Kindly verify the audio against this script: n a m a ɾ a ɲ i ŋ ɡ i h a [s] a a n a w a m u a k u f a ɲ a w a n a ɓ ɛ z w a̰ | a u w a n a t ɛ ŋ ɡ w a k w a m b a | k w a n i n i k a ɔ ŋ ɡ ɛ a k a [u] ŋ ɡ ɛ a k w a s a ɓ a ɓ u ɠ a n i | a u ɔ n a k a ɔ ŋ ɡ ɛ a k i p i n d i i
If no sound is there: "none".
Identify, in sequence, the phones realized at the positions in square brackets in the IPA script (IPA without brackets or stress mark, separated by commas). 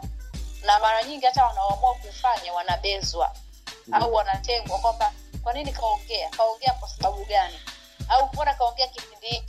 t, ɔ